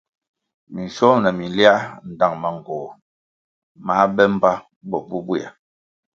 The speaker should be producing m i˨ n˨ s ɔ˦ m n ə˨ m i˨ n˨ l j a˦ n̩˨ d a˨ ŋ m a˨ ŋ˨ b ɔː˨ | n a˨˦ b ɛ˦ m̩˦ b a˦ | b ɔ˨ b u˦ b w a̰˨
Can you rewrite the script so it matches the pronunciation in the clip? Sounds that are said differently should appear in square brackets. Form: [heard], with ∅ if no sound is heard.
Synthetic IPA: m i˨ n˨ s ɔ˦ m n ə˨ m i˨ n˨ l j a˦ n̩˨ d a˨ ŋ m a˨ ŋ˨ [ɡ] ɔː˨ | [m] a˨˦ b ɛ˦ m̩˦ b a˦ | b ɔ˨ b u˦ b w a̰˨